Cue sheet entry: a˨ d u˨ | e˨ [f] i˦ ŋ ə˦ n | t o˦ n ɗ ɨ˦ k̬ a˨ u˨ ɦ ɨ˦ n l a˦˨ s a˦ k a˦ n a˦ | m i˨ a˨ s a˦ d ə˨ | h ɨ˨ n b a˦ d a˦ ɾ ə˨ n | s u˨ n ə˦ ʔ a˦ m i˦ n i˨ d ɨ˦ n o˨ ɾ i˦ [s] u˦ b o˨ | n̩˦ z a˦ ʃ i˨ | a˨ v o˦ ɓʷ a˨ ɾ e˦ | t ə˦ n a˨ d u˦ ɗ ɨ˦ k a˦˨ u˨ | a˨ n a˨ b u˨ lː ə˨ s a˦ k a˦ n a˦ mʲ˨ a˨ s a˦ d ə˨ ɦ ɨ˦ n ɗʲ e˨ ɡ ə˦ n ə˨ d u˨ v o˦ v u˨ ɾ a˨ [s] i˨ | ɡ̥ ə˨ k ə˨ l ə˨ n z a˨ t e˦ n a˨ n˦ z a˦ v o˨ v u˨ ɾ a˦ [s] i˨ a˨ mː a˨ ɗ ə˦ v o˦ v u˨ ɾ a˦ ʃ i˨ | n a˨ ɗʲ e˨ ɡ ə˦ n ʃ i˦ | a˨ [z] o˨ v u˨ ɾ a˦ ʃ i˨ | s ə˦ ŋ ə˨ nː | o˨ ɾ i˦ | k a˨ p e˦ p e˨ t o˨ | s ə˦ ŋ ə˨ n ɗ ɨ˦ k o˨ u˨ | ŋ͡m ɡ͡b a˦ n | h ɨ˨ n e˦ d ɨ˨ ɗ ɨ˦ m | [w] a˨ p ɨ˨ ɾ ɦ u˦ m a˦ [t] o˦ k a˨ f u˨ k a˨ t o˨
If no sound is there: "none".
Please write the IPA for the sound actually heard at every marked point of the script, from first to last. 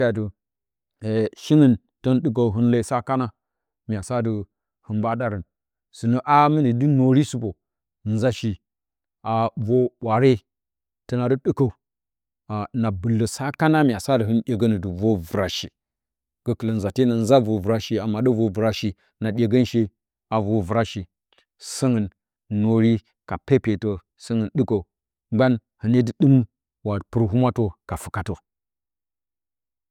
ʃ, s, ʃ, ʃ, v, w, t

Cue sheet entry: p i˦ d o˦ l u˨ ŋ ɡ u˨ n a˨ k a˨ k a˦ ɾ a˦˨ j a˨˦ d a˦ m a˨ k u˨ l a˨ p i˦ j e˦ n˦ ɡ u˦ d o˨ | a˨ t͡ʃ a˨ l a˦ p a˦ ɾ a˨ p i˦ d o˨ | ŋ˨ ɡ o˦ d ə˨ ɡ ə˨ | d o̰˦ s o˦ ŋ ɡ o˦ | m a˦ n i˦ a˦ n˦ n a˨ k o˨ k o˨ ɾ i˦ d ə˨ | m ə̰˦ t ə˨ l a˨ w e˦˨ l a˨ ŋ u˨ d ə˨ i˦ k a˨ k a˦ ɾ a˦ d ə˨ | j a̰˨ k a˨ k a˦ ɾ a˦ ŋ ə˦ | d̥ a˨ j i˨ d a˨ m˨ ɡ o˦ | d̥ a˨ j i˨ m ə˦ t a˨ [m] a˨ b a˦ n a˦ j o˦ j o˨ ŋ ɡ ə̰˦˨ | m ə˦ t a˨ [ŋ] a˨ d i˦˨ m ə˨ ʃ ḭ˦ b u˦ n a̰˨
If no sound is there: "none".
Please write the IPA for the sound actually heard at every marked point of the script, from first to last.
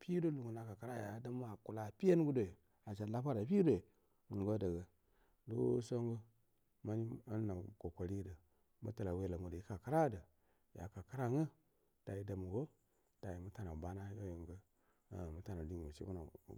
n, n

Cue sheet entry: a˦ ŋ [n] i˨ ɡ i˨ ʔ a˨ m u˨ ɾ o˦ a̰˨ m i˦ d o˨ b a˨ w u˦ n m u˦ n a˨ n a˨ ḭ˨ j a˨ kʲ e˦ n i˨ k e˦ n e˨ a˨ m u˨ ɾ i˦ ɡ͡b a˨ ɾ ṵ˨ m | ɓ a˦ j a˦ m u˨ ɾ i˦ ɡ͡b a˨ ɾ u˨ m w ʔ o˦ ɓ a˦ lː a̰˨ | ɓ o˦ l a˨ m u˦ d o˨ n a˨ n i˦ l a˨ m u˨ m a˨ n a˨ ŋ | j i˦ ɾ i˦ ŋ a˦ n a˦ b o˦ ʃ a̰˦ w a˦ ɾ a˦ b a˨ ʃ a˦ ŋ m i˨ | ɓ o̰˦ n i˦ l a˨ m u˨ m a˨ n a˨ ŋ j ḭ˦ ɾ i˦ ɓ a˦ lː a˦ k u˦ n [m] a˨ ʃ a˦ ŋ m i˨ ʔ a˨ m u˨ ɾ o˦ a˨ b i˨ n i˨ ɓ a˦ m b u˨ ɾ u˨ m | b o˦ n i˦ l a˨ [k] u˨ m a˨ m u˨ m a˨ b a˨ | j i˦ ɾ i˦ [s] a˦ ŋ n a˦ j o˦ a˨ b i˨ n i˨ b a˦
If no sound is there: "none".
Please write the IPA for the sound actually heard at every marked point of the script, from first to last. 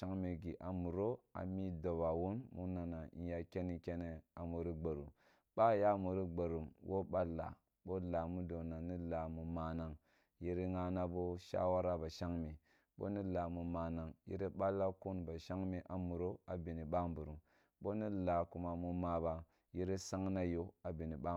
m, b, k, s

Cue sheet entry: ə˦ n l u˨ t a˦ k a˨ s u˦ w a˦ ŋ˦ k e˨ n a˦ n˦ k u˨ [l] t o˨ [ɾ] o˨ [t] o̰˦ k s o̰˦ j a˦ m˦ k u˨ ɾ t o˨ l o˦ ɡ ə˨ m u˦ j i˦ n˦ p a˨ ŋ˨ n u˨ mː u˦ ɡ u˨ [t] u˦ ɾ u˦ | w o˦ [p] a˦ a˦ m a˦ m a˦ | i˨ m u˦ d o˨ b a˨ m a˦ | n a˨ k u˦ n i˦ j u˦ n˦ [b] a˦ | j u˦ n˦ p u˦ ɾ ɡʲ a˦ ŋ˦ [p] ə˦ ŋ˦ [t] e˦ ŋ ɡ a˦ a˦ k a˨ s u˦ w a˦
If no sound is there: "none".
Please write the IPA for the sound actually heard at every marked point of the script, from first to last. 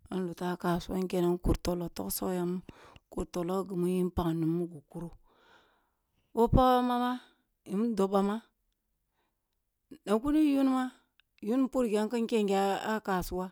ɾ, l, t, k, p, m, k, k

